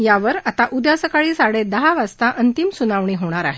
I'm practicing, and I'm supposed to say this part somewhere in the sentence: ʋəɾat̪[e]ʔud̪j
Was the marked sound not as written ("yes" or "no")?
yes